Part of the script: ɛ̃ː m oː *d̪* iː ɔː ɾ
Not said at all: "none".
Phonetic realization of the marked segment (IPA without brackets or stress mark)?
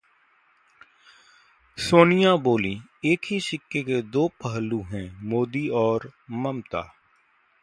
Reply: d̪